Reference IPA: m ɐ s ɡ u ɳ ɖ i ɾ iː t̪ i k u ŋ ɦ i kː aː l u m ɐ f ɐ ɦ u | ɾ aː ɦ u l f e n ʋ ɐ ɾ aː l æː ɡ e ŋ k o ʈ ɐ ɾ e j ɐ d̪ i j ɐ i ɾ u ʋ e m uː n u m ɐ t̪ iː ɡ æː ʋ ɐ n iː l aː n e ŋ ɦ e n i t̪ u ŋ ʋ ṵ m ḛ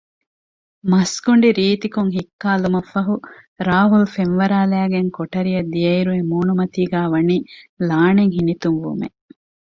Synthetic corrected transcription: m ɐ s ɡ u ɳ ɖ i ɾ iː t̪ i k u ŋ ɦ i kː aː l u m ɐ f ɐ ɦ u | ɾ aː ɦ u l f e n ʋ ɐ ɾ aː l æː ɡ e ŋ k o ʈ ɐ ɾ i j ɐ d̪ i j ɐ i ɾ u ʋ e m uː n u m ɐ t̪ iː ɡ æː ʋ ɐ n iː l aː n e ŋ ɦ i n i t̪ u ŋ ʋ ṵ m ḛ